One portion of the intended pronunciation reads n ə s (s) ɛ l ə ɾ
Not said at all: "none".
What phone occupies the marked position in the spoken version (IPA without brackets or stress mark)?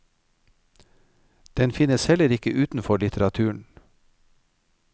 h